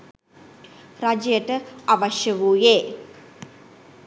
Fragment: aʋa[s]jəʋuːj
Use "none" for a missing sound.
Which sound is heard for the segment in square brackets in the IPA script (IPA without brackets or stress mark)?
ʃ